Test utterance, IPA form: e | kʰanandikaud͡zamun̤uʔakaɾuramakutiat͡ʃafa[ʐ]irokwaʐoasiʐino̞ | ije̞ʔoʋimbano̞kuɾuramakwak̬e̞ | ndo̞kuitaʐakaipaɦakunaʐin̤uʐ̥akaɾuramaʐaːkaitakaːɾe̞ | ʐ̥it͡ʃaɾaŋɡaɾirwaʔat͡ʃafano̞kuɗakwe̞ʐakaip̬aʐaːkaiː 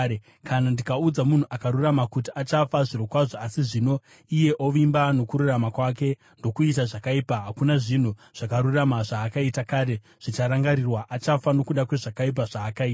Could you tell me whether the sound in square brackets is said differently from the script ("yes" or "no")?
no